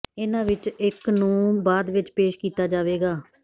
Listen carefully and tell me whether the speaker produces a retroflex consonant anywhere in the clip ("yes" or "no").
no